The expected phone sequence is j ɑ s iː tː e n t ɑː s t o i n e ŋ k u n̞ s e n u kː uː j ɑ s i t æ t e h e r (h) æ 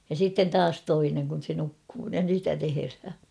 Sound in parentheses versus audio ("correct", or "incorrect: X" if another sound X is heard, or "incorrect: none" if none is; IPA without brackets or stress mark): correct